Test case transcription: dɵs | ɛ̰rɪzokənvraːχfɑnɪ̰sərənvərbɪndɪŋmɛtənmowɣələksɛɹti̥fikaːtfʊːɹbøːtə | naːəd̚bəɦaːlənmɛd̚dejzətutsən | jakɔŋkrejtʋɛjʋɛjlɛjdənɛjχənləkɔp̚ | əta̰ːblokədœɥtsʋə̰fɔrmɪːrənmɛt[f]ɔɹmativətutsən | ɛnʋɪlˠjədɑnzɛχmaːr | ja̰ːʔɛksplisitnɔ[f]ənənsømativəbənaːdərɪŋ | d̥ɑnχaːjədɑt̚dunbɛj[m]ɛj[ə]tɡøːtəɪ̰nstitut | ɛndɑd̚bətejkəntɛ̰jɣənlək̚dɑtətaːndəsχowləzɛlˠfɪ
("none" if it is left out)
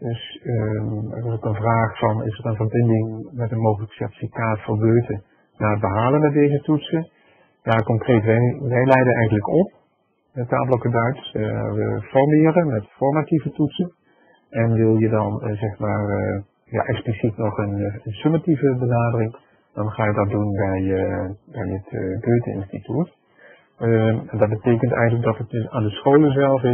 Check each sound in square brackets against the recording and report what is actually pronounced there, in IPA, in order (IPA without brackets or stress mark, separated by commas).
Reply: f, χ, b, ə